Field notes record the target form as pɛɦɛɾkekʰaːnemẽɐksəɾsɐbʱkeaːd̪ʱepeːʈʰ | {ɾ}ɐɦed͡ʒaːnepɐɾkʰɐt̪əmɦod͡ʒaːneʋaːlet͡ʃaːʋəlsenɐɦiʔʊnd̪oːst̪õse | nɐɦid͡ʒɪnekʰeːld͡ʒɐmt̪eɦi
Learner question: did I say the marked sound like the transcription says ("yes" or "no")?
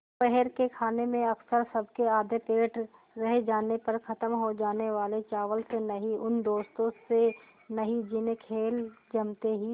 yes